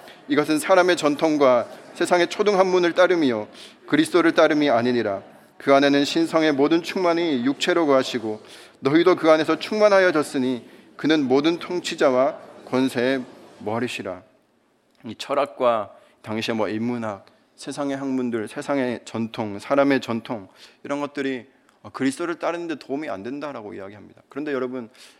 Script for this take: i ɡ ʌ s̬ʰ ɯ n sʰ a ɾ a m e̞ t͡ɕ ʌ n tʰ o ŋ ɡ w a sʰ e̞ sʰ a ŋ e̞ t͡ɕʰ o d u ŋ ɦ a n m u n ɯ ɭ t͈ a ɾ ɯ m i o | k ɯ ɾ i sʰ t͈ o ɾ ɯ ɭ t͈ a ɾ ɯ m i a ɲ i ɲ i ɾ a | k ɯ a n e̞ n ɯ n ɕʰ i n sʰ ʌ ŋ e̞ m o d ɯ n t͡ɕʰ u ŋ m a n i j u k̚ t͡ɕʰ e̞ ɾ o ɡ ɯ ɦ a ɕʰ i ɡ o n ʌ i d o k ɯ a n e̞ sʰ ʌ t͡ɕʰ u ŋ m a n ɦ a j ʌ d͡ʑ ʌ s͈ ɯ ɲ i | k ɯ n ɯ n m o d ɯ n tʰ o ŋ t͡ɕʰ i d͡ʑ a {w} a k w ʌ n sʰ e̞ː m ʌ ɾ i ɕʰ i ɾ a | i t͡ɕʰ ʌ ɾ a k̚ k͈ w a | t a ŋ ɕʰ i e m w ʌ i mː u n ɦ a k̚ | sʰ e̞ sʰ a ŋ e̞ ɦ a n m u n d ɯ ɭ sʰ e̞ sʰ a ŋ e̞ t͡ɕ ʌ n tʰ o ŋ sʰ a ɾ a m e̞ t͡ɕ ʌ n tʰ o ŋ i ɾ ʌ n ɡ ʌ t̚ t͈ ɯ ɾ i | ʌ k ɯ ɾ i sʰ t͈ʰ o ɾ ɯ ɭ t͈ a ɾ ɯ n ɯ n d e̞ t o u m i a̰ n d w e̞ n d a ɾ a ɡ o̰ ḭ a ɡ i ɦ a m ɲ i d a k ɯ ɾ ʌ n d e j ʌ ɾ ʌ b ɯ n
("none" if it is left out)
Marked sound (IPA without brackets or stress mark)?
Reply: w